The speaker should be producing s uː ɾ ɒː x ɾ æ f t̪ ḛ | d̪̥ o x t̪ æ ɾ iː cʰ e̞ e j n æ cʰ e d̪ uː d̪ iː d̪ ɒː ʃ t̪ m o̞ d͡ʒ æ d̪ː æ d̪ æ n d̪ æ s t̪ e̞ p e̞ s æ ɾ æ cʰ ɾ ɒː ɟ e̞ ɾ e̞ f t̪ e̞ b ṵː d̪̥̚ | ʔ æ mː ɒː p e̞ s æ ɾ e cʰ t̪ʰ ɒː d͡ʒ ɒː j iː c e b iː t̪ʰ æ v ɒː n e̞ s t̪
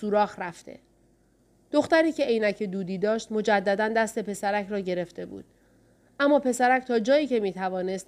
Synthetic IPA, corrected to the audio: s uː ɾ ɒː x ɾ æ f t̪ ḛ | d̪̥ o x t̪ æ ɾ iː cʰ e̞ e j n æ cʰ e d̪ uː d̪ iː d̪ ɒː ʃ t̪ m o̞ d͡ʒ æ d̪ː æ d̪ æ n d̪ æ s t̪ e̞ p e̞ s æ ɾ æ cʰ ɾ ɒː ɟ e̞ ɾ e̞ f t̪ e̞ b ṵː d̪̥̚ | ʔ æ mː ɒː p e̞ s æ ɾ æ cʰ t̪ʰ ɒː d͡ʒ ɒː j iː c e m iː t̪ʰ æ v ɒː n e̞ s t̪